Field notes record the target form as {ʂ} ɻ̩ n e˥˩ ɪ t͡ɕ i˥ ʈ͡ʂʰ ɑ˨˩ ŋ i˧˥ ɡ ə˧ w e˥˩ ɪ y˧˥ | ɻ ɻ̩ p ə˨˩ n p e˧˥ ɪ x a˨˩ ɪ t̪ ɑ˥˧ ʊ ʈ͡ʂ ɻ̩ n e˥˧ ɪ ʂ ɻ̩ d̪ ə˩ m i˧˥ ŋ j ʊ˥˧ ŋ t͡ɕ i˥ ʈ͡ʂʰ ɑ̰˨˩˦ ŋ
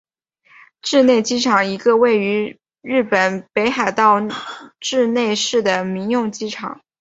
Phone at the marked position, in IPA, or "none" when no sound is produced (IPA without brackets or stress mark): ʈ͡ʂ